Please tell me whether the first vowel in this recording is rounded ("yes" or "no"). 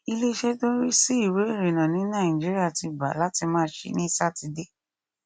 no